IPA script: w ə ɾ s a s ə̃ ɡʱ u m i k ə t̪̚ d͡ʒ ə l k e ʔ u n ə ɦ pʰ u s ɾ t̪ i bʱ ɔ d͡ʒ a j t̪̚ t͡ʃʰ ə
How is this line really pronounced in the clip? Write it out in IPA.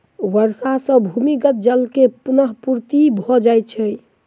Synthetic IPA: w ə ɾ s a s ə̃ bʱ u m i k ə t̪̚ d͡ʒ ə l k e p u n ə ɦ p u ɾ t̪ i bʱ ɔ d͡ʒ a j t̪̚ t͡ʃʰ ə